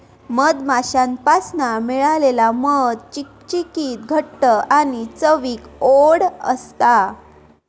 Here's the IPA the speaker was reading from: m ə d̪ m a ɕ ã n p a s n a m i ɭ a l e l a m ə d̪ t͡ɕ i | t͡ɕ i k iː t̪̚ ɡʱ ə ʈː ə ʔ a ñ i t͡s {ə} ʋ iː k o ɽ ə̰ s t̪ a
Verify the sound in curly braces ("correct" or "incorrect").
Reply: correct